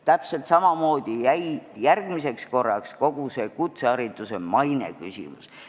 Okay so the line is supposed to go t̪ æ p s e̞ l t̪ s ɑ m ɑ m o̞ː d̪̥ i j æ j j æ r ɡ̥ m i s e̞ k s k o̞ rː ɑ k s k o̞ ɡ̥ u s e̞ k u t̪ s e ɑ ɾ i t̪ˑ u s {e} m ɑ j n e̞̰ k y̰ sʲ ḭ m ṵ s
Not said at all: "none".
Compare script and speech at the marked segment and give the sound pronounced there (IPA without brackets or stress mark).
e